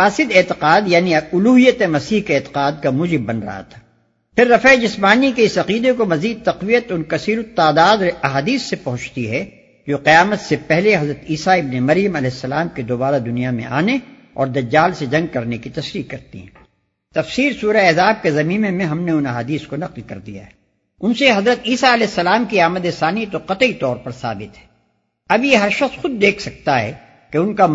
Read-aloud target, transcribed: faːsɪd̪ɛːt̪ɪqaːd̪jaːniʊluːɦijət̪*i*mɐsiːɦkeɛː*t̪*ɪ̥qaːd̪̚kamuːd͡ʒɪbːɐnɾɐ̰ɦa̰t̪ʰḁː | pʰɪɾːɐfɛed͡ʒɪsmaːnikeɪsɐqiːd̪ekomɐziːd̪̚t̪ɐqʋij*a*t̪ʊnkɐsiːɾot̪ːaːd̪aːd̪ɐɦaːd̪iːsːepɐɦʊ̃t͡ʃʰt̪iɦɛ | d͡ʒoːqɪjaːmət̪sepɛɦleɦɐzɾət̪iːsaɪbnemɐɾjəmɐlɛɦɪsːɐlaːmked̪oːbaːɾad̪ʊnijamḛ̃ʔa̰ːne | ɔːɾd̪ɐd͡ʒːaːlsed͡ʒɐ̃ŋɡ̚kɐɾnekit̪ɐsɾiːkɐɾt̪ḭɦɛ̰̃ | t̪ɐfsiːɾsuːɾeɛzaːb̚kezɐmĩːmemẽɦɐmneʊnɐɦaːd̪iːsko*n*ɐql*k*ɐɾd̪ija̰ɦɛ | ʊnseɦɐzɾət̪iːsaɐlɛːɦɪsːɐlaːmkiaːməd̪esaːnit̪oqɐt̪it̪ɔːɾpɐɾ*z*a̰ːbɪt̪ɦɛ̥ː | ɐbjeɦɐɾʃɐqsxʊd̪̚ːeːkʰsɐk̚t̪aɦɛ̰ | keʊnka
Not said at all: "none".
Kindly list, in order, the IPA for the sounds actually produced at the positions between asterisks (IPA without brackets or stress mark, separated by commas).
e, t̪, ə, n, k, s